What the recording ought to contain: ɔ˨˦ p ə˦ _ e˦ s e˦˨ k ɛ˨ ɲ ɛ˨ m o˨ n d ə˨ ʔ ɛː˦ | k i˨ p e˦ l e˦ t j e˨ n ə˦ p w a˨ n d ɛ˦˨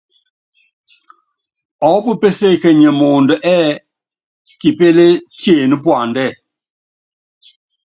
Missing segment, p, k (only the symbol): p